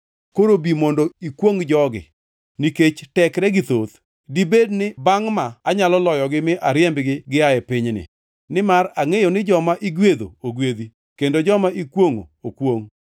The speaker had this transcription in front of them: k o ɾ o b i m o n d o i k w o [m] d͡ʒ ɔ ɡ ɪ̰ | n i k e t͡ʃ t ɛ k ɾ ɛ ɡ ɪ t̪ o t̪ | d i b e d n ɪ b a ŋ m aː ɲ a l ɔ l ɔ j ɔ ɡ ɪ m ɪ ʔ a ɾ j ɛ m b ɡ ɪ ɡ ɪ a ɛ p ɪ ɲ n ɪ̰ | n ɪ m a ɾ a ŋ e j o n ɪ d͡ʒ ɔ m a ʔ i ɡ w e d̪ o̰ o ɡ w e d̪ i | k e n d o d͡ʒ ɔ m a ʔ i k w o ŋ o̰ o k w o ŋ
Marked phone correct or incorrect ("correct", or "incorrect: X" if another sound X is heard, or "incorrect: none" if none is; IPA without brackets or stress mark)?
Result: incorrect: ŋ